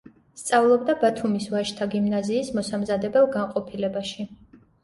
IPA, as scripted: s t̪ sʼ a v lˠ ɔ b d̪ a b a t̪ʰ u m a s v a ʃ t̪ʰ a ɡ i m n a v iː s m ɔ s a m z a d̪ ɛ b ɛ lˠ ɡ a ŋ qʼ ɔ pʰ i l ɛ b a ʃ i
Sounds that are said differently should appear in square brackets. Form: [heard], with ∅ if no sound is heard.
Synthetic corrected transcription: s t̪ sʼ a v lˠ ɔ b d̪ a b a t̪ʰ u m [i] s v a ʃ t̪ʰ a ɡ i m n a [z] iː s m ɔ s a m z a d̪ ɛ b ɛ lˠ ɡ a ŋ qʼ ɔ pʰ i l ɛ b a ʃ i